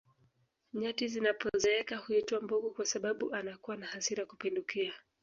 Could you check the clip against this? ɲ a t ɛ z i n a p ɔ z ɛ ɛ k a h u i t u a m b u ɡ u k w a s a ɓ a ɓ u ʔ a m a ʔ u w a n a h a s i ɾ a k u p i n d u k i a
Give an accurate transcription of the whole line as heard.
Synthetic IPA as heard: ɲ a t i z i n a p ɔ z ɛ ɛ k a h u i t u a m b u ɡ u k w a s a ɓ a ɓ u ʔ a n a k u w a n a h a s i ɾ a k u p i n d u k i a